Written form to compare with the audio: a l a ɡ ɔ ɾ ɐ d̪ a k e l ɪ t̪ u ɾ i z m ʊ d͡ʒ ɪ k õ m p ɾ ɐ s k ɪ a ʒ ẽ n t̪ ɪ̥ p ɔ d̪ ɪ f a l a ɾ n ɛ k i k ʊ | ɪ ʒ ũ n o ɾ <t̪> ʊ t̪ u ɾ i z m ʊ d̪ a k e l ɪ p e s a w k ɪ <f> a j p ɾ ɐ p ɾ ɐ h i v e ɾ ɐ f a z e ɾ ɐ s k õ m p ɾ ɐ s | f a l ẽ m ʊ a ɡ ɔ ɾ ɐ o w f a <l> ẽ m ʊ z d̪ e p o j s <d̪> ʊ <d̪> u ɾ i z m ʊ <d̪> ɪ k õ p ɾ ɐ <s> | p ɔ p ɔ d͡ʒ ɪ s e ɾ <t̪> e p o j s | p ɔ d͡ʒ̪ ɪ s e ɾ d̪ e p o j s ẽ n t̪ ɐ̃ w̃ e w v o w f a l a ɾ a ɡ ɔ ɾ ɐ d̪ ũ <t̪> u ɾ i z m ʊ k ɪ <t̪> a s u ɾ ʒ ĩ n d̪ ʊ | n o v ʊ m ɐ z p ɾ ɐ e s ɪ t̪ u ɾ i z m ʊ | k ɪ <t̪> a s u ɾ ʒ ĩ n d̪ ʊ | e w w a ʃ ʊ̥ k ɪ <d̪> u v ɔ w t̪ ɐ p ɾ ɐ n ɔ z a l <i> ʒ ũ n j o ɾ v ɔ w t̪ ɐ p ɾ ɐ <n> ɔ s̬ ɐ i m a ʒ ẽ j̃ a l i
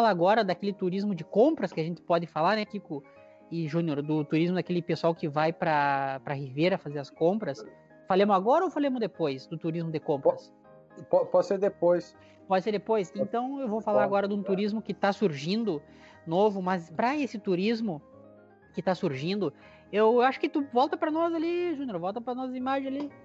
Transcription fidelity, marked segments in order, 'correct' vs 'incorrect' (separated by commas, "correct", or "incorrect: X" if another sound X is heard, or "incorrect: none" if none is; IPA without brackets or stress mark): incorrect: d̪, incorrect: v, correct, correct, incorrect: t̪, correct, correct, incorrect: d̪, correct, correct, correct, incorrect: t̪, correct, correct